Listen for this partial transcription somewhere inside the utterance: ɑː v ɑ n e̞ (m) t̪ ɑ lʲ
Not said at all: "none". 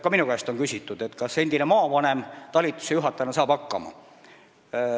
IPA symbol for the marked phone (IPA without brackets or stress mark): m